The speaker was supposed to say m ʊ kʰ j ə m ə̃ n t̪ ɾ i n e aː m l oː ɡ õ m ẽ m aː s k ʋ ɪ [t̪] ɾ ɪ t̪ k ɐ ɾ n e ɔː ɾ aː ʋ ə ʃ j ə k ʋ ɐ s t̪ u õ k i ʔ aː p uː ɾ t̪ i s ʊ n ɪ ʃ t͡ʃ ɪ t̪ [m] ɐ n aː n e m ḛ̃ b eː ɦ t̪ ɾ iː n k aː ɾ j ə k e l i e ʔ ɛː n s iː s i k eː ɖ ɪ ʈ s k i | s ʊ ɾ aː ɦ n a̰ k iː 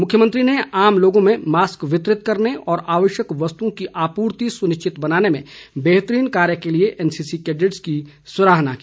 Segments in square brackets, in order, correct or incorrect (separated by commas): correct, incorrect